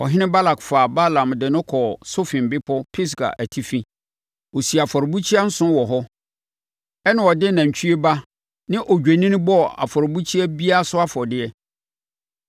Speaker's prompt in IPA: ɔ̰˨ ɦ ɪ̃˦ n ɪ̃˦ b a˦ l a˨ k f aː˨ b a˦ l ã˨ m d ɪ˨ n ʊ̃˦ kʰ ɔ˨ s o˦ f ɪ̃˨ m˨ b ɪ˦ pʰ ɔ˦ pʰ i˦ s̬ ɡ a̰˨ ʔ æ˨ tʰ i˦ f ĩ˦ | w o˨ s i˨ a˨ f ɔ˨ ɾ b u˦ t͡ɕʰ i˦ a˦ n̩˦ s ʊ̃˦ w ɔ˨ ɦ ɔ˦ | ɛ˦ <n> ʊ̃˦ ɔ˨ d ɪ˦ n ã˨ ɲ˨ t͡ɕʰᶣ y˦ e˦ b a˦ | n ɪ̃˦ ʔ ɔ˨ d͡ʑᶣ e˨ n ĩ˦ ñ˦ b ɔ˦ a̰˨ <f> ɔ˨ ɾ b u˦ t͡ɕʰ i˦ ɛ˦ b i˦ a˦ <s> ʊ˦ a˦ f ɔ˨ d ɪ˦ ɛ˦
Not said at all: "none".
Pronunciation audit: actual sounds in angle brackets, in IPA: n, f, s

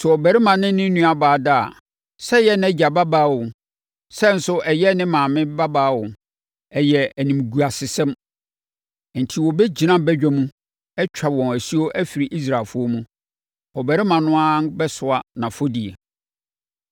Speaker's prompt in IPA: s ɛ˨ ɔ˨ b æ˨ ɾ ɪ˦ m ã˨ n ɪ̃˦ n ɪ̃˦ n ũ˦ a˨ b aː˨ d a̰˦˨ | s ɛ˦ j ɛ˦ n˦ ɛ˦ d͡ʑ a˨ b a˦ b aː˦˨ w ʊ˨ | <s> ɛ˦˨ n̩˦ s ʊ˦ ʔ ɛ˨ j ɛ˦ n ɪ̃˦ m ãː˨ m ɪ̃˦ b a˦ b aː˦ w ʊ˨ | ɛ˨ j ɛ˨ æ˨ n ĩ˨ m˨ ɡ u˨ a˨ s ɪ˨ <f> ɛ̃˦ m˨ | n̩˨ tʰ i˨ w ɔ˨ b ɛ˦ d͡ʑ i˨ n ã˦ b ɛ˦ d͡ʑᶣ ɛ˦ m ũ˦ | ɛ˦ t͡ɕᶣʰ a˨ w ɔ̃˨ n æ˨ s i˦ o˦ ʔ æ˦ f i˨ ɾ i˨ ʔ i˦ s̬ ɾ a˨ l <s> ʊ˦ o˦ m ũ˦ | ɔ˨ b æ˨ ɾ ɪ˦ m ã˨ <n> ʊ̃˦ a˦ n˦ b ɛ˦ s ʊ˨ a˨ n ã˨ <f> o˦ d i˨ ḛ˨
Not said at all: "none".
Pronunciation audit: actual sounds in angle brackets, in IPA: s, s, f, n, f

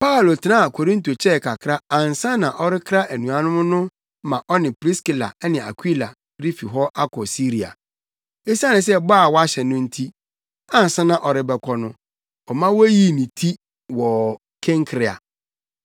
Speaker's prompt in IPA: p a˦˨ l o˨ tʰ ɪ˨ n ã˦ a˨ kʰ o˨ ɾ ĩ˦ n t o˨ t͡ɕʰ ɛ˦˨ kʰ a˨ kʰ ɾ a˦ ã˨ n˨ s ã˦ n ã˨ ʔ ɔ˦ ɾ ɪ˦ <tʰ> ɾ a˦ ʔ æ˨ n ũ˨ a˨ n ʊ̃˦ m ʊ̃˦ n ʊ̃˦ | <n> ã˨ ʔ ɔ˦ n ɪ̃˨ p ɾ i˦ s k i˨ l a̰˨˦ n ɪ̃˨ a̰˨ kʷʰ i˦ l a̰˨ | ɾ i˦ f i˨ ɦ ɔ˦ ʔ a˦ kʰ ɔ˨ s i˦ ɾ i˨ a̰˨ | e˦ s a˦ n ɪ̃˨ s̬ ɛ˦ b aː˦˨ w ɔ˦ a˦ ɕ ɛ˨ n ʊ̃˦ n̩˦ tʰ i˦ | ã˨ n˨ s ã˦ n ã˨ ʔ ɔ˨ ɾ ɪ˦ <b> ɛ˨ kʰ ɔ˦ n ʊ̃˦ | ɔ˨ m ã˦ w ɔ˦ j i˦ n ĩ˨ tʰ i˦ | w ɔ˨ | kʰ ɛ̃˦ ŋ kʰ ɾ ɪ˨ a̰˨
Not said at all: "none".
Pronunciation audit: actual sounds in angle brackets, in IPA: kʰ, m, b

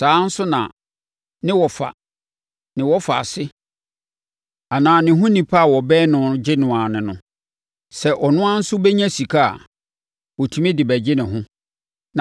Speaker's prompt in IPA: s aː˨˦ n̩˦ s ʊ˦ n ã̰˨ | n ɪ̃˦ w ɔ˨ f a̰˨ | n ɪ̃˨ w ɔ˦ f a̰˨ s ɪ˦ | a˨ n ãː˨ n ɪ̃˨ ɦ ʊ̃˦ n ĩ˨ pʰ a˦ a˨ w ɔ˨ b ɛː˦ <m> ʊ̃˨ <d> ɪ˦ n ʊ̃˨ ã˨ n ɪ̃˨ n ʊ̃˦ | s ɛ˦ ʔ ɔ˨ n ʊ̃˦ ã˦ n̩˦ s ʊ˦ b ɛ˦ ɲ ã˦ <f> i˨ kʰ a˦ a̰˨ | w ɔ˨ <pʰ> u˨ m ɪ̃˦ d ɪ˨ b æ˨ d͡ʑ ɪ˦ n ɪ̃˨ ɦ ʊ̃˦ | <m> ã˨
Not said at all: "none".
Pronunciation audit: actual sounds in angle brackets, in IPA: n, d͡ʑ, s, tʰ, n

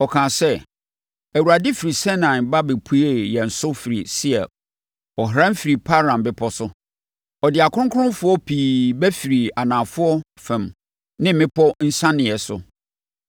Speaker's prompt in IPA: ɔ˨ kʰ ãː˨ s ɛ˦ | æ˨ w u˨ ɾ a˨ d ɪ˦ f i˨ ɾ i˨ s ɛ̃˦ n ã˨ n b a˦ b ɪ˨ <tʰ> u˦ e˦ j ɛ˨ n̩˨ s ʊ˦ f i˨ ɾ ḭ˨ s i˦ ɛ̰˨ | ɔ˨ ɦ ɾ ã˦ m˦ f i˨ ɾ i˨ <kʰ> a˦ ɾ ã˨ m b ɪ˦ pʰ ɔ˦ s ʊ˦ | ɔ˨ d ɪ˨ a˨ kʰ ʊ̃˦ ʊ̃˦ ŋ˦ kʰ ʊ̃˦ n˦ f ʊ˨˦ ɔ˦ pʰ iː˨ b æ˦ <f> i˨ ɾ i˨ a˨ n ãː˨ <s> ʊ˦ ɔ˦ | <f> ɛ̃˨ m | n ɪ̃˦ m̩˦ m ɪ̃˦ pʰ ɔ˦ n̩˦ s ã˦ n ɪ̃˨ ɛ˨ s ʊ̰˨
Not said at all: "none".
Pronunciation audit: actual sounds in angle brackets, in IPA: pʰ, pʰ, f, f, f

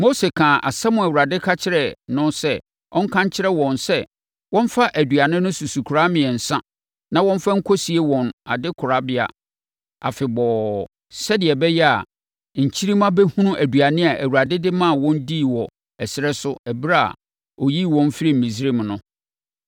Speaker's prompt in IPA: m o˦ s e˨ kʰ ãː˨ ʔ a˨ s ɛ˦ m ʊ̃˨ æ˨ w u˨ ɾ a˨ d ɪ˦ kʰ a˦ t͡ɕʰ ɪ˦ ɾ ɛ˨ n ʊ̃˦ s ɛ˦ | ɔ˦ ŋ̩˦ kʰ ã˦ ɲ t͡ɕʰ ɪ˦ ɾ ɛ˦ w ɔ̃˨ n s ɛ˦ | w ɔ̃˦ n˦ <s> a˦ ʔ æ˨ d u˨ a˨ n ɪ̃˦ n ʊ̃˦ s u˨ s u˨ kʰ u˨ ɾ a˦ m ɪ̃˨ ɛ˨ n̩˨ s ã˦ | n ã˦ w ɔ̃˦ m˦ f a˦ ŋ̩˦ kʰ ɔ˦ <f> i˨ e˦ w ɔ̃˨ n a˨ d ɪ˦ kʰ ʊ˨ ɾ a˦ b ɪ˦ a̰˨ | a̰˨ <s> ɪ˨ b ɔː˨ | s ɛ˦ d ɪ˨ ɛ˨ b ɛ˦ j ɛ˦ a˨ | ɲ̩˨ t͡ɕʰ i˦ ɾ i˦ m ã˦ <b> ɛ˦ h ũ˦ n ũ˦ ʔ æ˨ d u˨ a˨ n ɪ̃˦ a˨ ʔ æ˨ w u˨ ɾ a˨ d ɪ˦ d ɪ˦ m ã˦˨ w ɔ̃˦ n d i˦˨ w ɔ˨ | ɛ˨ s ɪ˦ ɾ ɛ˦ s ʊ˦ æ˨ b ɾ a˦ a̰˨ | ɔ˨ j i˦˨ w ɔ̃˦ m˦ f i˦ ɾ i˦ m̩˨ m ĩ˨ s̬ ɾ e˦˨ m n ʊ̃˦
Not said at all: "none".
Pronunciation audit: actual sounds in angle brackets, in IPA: f, s, f, b

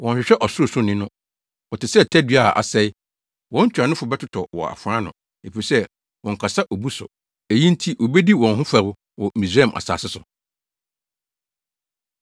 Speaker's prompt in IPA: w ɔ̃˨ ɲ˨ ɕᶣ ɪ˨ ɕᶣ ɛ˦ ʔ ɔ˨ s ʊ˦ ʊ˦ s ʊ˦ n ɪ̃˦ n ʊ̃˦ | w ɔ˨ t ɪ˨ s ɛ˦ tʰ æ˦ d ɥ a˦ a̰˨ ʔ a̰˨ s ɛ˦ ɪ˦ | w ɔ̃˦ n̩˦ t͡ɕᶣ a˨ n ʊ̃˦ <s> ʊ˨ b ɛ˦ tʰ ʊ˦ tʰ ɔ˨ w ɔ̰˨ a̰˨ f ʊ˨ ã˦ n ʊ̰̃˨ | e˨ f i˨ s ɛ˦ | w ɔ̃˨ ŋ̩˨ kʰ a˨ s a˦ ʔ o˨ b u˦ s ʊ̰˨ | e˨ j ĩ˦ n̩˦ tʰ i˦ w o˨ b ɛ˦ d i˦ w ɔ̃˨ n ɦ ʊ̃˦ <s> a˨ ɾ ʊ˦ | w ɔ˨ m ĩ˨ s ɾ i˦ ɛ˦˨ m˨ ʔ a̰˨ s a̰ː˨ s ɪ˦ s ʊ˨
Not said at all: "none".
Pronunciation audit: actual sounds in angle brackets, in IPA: f, f

